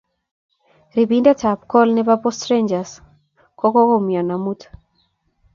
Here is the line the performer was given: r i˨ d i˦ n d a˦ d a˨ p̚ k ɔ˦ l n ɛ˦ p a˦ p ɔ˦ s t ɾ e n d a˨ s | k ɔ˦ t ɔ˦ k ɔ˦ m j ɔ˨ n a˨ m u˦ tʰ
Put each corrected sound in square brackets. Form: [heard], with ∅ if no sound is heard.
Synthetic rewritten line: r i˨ [b] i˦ n d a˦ [t] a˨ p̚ k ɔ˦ l n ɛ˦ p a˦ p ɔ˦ s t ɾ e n [d͡ʒ] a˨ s | k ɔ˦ [k] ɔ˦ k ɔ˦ m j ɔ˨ n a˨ m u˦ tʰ